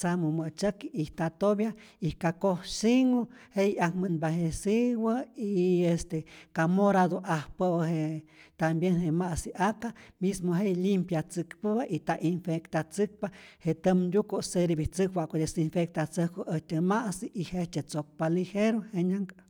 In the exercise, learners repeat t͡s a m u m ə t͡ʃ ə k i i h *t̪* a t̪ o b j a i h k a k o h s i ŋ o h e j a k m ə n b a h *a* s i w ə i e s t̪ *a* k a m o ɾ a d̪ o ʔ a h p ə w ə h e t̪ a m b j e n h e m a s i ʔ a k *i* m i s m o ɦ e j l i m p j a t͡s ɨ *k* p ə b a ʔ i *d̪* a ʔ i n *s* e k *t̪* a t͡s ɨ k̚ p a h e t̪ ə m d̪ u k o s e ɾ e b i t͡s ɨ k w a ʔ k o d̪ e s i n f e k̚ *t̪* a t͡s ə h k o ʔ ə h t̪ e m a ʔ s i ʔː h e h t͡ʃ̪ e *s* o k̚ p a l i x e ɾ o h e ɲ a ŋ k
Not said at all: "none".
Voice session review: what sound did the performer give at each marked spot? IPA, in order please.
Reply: t̪, e, e, a, k, t̪, f, t̪, t̪, t͡s

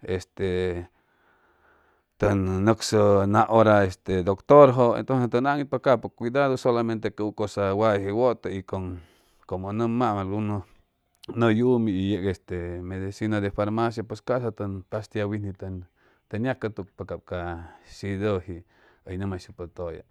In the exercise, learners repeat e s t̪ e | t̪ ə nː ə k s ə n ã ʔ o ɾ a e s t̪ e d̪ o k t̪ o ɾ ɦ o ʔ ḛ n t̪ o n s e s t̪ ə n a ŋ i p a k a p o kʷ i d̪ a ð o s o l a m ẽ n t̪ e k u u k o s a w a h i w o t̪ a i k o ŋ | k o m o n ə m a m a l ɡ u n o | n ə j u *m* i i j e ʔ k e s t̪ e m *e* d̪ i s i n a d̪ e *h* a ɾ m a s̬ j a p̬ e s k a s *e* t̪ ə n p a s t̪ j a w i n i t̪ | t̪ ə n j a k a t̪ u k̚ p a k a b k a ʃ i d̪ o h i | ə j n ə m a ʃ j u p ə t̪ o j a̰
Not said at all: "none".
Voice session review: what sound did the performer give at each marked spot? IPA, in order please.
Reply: m, e, f, a

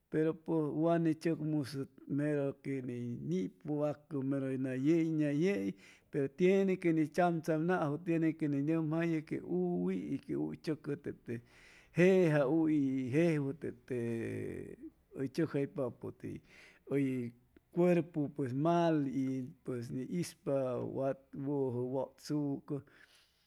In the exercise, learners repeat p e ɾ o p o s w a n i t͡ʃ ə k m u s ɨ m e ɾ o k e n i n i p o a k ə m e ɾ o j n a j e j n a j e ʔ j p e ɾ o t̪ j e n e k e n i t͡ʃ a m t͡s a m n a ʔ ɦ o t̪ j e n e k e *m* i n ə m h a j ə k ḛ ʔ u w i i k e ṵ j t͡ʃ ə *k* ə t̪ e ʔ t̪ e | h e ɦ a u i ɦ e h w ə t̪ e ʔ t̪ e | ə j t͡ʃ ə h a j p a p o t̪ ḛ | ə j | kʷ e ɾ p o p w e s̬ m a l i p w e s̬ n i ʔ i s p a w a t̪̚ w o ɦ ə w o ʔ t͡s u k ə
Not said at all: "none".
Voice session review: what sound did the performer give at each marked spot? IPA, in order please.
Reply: n, k

